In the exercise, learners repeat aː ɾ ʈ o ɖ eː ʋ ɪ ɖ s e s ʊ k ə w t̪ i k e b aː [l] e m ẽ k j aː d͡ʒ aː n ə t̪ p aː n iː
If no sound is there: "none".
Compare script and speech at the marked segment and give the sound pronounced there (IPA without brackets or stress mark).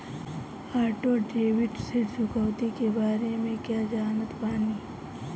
ɾ